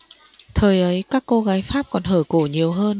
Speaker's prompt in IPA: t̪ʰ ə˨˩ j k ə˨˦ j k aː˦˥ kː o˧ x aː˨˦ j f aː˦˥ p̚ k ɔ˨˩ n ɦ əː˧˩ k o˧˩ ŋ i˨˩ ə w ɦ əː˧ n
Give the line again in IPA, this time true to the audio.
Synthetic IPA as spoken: t̪ʰ əː˨˩ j ʔ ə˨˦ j k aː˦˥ kː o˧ ɣ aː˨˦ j f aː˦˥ p̚ k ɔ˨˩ n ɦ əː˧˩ k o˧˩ ɲ i˨˩ ə w ɦ əː˧ n